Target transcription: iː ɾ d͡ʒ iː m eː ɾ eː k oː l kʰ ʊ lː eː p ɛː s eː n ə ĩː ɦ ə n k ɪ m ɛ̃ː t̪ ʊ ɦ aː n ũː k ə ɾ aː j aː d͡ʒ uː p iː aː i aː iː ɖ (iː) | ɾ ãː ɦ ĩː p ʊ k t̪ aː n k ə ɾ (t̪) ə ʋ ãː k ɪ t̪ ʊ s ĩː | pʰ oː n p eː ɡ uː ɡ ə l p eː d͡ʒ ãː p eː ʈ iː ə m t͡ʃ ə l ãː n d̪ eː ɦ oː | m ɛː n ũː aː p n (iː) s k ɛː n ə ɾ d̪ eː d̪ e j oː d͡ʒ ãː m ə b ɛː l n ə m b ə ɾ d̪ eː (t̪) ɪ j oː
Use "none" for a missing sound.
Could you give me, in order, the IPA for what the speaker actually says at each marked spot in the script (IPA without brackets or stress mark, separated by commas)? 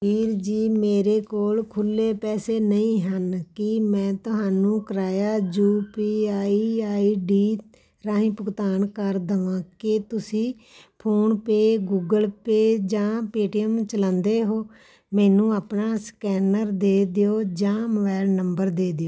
iː, d̪, aː, d̪